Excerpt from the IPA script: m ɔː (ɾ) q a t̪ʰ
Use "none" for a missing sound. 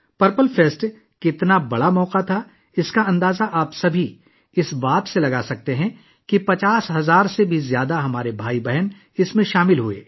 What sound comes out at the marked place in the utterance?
none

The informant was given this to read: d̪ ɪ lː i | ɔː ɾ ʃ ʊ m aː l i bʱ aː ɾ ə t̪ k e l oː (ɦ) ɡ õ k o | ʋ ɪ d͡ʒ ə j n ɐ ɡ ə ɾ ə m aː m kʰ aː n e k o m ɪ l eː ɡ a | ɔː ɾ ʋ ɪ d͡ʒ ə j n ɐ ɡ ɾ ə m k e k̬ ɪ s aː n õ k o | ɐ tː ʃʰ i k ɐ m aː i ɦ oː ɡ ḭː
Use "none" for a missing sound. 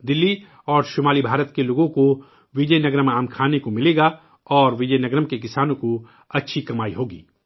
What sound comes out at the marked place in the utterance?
none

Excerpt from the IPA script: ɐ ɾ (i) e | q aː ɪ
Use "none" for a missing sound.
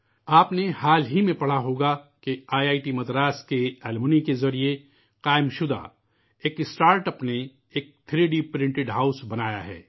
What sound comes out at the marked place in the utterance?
i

